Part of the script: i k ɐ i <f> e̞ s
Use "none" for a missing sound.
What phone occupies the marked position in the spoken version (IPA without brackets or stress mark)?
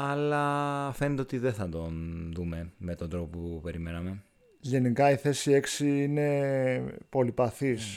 θ